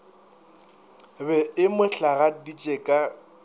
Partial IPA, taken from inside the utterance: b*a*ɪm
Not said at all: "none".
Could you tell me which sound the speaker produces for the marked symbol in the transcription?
ɛ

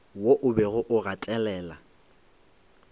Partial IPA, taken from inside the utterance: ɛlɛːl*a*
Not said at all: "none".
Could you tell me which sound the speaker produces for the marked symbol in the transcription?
a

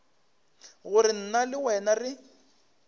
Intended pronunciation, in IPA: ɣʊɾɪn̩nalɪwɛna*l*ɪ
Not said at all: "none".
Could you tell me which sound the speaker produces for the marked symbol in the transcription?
r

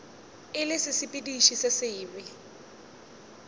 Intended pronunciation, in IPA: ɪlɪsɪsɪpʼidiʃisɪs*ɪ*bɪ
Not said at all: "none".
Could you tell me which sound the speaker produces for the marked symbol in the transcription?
ɪː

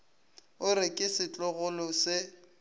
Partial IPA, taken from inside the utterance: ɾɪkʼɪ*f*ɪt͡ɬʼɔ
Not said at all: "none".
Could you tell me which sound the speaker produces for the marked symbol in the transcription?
s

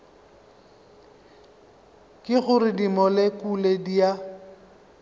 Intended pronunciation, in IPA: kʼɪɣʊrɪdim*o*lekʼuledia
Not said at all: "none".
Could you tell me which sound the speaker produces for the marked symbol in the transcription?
ɔ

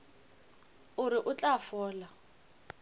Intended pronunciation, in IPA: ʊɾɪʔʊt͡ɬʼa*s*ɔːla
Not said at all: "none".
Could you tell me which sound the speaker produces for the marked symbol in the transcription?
f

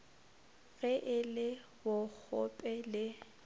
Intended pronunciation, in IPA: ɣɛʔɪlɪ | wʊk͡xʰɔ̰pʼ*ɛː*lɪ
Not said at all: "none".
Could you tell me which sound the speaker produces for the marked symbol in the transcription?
ɛ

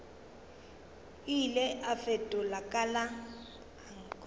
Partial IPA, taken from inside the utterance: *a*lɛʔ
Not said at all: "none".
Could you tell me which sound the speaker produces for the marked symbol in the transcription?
i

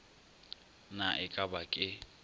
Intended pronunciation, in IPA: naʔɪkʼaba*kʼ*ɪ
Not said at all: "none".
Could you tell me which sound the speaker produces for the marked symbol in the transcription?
kʼ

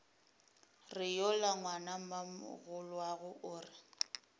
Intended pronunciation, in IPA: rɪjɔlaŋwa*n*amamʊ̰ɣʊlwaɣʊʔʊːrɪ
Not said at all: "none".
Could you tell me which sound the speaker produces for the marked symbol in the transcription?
n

